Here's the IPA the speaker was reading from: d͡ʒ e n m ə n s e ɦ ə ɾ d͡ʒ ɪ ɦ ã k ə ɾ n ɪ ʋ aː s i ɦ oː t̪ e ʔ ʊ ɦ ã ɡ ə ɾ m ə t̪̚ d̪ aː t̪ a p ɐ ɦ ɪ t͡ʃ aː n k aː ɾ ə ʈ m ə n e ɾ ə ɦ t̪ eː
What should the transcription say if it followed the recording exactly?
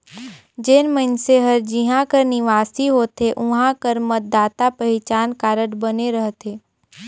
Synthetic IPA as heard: d͡ʒ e n m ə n s e ɦ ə ɾ d͡ʒ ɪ ɦ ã k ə ɾ n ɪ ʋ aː s i ɦ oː t̪ e ʔ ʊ ɦ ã k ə ɾ m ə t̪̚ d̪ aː t̪ a p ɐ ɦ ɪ t͡ʃ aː n k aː ɾ ə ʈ b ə n e ɾ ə ɦ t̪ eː